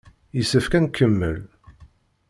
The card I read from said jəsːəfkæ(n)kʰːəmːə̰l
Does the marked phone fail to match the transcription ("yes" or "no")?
no